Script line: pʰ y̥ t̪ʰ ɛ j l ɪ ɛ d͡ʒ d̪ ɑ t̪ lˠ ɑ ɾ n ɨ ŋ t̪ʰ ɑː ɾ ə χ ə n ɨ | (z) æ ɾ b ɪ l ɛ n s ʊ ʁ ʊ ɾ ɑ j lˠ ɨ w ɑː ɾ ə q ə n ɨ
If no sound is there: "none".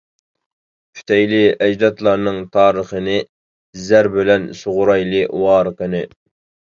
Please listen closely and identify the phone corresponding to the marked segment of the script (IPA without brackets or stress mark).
z